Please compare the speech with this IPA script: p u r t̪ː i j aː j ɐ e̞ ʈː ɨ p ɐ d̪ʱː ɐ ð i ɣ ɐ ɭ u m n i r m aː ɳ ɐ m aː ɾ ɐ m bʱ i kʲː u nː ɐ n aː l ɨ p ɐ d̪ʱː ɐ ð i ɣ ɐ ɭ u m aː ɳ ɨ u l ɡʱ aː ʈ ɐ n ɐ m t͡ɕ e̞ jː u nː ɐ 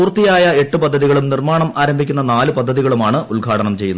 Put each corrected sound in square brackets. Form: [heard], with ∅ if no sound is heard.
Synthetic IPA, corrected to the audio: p [uː] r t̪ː i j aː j ɐ e̞ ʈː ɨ p ɐ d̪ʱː ɐ ð i ɣ ɐ ɭ u m n i r m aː ɳ ɐ m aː ɾ ɐ m bʱ i kʲː u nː ɐ n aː l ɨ p ɐ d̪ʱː ɐ ð i ɣ ɐ ɭ u m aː ɳ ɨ u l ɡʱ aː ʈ ɐ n ɐ m t͡ɕ e̞ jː u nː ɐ